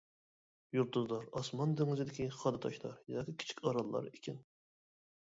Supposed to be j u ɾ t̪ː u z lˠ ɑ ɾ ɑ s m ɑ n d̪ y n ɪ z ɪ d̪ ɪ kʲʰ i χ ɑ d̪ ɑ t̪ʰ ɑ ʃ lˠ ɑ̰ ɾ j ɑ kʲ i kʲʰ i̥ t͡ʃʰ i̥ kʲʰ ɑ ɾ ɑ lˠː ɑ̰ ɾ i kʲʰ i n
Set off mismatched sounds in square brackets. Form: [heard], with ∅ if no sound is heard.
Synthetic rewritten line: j u ɾ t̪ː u z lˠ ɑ ɾ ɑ s m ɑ n d̪ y [ŋ] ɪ z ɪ d̪ ɪ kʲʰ i χ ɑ d̪ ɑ t̪ʰ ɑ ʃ lˠ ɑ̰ ɾ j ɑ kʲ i kʲʰ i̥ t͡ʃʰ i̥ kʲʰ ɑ ɾ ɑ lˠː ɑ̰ ɾ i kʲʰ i n